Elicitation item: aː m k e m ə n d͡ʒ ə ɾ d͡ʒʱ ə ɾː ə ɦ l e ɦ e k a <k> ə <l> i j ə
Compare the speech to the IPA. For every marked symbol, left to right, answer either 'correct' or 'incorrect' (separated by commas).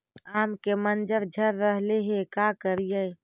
correct, incorrect